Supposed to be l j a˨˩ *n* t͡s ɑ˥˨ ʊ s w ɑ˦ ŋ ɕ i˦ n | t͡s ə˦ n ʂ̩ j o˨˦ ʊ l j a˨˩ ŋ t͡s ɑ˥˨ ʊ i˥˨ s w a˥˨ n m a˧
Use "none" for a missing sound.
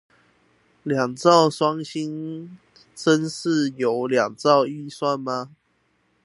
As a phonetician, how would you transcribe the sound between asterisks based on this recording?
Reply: ŋ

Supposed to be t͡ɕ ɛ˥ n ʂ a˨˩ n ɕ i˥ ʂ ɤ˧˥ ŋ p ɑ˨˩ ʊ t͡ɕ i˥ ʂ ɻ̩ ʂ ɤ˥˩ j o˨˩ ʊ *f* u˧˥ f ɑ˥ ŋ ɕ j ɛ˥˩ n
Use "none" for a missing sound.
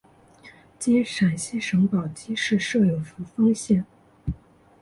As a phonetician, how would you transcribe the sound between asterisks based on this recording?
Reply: f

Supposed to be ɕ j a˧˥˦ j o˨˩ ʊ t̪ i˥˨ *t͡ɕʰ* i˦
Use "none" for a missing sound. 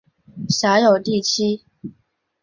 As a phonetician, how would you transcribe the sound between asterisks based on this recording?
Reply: t͡ɕʰ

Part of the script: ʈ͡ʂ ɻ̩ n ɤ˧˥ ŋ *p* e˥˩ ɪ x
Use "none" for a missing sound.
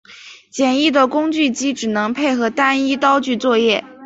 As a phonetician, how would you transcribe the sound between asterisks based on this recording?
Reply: pʰ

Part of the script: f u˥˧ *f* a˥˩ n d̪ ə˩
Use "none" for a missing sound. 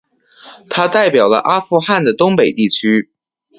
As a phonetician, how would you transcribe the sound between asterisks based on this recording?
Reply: x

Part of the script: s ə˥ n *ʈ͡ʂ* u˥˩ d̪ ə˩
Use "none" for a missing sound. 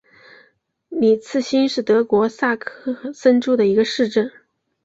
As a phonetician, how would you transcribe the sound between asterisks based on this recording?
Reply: ʈ͡ʂ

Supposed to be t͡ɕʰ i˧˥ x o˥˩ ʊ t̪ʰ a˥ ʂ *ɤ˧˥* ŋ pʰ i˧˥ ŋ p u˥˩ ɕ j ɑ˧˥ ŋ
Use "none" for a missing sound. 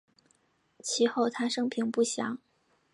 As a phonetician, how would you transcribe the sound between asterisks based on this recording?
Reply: ɤ˥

